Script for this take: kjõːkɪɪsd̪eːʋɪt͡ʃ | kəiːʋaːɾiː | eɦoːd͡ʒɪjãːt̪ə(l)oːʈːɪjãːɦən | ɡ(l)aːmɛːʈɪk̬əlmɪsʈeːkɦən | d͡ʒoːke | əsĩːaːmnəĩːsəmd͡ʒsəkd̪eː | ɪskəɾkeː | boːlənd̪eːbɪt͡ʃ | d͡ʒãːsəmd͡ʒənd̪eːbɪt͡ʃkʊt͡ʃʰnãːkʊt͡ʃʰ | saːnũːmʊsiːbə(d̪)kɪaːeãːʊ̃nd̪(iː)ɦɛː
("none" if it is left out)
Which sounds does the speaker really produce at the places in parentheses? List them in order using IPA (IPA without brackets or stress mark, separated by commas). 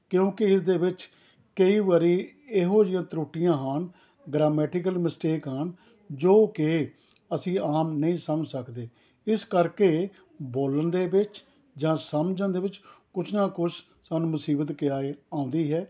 ɾ, ɾ, t̪, iː